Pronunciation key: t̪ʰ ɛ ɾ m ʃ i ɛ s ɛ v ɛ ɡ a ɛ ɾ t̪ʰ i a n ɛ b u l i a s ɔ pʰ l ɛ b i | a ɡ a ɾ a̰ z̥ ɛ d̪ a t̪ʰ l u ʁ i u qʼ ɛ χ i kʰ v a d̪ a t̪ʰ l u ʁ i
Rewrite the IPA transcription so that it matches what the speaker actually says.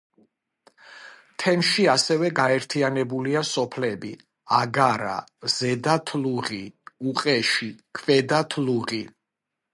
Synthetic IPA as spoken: t̪ʰ ɛ m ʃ i a s ɛ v ɛ ɡ a ɛ ɾ t̪ʰ i a n ɛ b u l i a s ɔ pʰ l ɛ b i | a ɡ a ɾ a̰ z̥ ɛ d̪ a t̪ʰ l u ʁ i u qʼ ɛ ʃ i kʰ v ɛ d̪ a t̪ʰ l u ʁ i

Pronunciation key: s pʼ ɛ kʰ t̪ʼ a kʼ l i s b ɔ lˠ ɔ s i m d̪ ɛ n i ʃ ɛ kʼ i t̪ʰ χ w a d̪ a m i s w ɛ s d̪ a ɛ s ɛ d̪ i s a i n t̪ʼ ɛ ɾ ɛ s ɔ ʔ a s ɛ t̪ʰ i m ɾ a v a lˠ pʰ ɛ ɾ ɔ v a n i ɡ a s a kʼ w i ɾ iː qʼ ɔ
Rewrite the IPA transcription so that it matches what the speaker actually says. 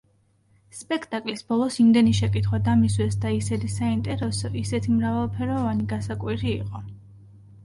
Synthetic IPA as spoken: s pʼ ɛ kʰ t̪ʼ a kʼ l i s b ɔ lˠ ɔ s i m d̪ ɛ n i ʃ ɛ kʼ i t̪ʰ χ w a d̪ a m i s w ɛ s d̪ a i s ɛ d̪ i s a i n t̪ʼ ɛ ɾ ɛ s ɔ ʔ i s ɛ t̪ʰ i m ɾ a v a lˠ pʰ ɛ ɾ ɔ v a n i ɡ a s a kʼ w i ɾ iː qʼ ɔ

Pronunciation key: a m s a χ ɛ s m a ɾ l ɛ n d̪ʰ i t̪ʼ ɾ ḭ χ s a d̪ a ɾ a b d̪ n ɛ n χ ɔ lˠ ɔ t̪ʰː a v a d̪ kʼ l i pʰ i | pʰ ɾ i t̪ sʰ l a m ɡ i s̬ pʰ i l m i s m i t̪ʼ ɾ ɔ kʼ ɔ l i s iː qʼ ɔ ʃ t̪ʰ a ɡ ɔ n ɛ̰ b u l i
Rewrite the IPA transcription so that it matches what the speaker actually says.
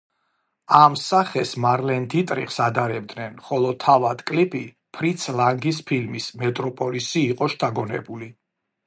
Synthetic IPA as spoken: a m s a χ ɛ s m a ɾ l ɛ n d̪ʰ i t̪ʼ ɾ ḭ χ s a d̪ a ɾ ɛ b d̪ n ɛ n χ ɔ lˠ ɔ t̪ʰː a v a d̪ kʼ l i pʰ i | pʰ ɾ i t̪ sʰ l a ŋ ɡ i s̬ pʰ i l m i s m ɛ t̪ʼ ɾ ɔ pʼ ɔ l i s iː qʼ ɔ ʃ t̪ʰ a ɡ ɔ n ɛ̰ b u l i

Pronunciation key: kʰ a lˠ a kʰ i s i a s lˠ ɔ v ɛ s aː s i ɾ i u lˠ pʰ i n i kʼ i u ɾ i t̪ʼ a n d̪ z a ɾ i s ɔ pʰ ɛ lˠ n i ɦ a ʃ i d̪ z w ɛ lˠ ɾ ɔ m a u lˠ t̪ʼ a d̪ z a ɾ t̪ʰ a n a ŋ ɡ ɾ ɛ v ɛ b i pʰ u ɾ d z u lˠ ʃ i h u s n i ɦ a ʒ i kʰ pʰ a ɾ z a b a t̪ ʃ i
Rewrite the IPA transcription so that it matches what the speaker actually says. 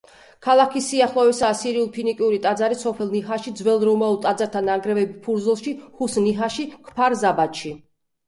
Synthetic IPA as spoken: kʰ a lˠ a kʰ i s i a χ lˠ ɔ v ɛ s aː s i ɾ i u lˠ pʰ i n i kʼ i u ɾ i t̪ʼ a d̪ z a ɾ i s ɔ pʰ ɛ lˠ n i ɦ a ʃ i d̪ z w ɛ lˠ ɾ ɔ m a u lˠ t̪ʼ a d̪ z a ɾ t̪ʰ a n a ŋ ɡ ɾ ɛ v ɛ b i pʰ u ɾ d z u lˠ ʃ i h u s n i ɦ a ʃ i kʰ pʰ a ɾ z a b a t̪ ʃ i

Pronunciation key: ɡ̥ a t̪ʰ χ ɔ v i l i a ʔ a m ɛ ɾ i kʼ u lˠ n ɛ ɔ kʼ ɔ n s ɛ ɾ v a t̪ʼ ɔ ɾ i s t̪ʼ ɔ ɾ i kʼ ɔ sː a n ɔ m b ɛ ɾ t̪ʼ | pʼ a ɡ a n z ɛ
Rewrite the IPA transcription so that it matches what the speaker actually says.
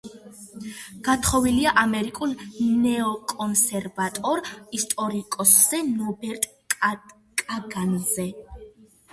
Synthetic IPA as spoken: ɡ̥ a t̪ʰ χ ɔ v i l i a ʔ a m ɛ ɾ i kʼ u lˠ n ɛ ɔ kʼ ɔ n s ɛ ɾ v a t̪ʼ ɔ ɾ i s t̪ʼ ɔ ɾ i kʼ ɔ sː ɛ n ɔ b ɛ ɾ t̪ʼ | kʼ a ɡ a n z ɛ

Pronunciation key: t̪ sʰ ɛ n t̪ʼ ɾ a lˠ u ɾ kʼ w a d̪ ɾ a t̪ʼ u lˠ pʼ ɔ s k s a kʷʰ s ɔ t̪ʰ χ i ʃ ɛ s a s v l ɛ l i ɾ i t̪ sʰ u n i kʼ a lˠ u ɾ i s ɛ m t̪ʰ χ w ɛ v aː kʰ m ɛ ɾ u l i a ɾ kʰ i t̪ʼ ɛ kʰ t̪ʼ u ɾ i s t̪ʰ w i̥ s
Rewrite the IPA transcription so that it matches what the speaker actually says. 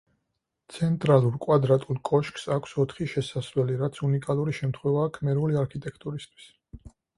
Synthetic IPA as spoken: t̪ sʰ ɛ n t̪ʼ ɾ a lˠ u ɾ kʼ w a d̪ ɾ a t̪ʼ u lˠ kʼ ɔ ʃ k s a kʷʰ s ɔ t̪ʰ χ i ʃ ɛ s a s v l ɛ l i ɾ a t̪ sʰ u n i kʼ a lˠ u ɾ i ʃ ɛ m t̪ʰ χ w ɛ v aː kʰ m ɛ ɾ u l i a ɾ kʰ i t̪ʼ ɛ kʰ t̪ʼ u ɾ i s t̪ʰ w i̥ s

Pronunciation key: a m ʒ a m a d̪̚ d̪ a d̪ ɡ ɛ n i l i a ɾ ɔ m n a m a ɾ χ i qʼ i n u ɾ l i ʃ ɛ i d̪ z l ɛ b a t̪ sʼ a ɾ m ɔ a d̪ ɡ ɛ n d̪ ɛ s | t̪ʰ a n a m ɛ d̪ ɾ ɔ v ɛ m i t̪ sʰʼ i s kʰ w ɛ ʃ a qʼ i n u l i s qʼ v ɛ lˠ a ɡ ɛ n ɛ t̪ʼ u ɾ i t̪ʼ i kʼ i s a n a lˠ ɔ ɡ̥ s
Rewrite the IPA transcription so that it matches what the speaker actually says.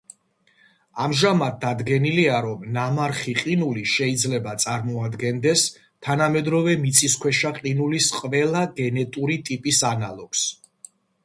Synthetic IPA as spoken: a m ʒ a m a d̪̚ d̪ a d̪ ɡ ɛ n i l i a ɾ ɔ m n a m a ɾ χ i qʼ i n u l i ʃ ɛ i d̪ z l ɛ b a t̪ sʼ a ɾ m ɔ a d̪ ɡ ɛ n d̪ ɛ s | t̪ʰ a n a m ɛ d̪ ɾ ɔ v ɛ m i t̪ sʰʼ i s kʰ w ɛ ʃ a qʼ i n u l i s qʼ v ɛ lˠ a ɡ ɛ n ɛ t̪ʼ u ɾ i t̪ʼ i pʼ i s a n a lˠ ɔ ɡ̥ s

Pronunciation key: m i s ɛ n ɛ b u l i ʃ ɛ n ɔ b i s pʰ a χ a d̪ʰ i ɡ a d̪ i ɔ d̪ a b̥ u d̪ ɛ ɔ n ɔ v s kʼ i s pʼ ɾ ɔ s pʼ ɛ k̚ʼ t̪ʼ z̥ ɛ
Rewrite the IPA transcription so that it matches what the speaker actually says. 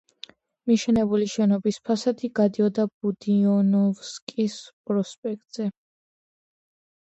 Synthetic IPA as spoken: m i ʃ ɛ n ɛ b u l i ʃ ɛ n ɔ b i s pʰ a s a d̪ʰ i ɡ a d̪ i ɔ d̪ a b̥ u d̪ i ɔ n ɔ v s kʼ i s pʼ ɾ ɔ s pʼ ɛ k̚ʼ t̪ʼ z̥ ɛ

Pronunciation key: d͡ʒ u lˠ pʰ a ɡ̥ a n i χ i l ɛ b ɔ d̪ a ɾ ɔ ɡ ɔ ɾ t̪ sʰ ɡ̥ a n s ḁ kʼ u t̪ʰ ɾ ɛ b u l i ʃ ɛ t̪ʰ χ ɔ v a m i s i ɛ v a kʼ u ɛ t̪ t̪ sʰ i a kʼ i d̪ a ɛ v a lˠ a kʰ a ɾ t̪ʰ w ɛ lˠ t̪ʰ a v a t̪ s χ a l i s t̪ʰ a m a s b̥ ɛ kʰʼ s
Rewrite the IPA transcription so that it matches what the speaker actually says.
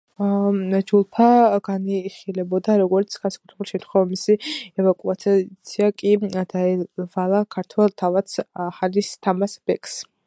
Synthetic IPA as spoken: d͡ʒ u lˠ pʰ a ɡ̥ a n i χ i l ɛ b ɔ d̪ a ɾ ɔ ɡ ɔ ɾ t̪ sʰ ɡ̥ a n s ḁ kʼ u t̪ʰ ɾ ɛ b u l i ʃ ɛ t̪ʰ χ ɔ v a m i s i ɛ v a kʼ u a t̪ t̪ sʰ i a kʼ i d̪ a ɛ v a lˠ a kʰ a ɾ t̪ʰ w ɛ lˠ t̪ʰ a v a t̪ s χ a l i s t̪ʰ a m a s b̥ ɛ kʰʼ s

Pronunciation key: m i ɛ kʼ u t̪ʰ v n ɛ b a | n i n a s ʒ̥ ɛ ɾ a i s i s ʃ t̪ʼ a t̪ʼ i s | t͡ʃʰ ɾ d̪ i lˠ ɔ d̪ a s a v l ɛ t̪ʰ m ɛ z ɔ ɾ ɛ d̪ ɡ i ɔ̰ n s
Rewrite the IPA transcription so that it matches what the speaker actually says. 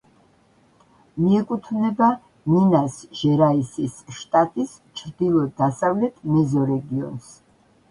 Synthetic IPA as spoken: m i ɛ kʼ u t̪ʰ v n ɛ b a | n i n a s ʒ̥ ɛ ɾ a i s i s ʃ t̪ʼ a t̪ʼ i s | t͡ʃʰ ɾ d̪ i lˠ ɔ d̪ a s a v l ɛ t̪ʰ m ɛ z ɔ ɾ ɛ ɡ i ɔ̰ n s

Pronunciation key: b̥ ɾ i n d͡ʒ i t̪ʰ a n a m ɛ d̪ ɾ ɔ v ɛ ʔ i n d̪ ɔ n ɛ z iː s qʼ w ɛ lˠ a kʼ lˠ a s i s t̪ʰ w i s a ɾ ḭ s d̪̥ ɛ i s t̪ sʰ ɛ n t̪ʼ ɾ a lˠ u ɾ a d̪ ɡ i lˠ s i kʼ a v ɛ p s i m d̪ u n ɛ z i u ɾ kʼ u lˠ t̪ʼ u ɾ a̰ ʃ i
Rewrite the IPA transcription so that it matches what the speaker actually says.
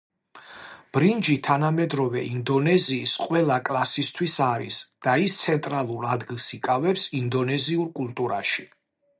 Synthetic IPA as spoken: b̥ ɾ i n d͡ʒ i t̪ʰ a n a m ɛ d̪ ɾ ɔ v ɛ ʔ i n d̪ ɔ n ɛ z iː s qʼ w ɛ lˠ a kʼ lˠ a s i s t̪ʰ w i s a ɾ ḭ s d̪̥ a i s t̪ sʰ ɛ n t̪ʼ ɾ a lˠ u ɾ a d̪ ɡ i lˠ s i kʼ a v ɛ p s i n d̪ ɔ n ɛ z i u ɾ kʼ u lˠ t̪ʼ u ɾ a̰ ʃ i

